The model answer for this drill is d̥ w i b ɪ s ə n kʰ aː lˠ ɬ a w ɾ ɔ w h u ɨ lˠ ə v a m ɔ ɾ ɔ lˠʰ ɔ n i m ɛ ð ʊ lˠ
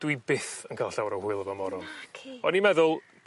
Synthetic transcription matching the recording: d̥ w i b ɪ θ ə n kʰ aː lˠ ɬ a w ɾ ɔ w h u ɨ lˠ ə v a m ɔ ɾ ɔ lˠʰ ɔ n i m ɛ ð ʊ lˠ